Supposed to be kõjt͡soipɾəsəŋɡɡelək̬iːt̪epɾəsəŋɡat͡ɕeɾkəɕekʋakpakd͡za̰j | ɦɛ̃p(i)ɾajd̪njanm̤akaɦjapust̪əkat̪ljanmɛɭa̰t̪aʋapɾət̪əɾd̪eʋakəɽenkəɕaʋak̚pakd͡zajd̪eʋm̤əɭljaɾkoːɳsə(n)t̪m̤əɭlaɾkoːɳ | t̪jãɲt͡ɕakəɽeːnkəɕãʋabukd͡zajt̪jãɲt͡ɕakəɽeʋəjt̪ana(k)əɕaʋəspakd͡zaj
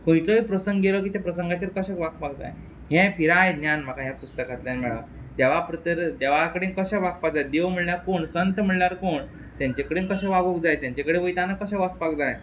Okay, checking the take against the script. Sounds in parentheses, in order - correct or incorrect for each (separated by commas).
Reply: correct, correct, correct